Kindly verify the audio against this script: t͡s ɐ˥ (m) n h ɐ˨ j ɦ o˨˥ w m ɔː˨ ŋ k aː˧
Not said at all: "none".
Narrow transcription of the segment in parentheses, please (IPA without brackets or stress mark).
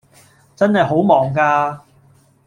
none